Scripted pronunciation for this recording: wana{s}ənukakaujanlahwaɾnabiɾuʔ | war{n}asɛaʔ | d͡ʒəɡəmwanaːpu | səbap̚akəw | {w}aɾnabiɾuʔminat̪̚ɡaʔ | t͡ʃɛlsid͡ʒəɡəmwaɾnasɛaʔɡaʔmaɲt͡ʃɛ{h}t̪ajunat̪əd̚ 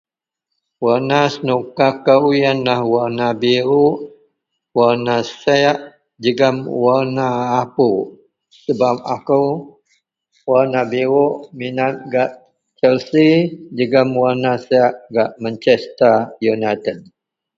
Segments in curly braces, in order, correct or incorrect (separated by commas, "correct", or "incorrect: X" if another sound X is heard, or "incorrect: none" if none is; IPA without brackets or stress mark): correct, correct, correct, incorrect: s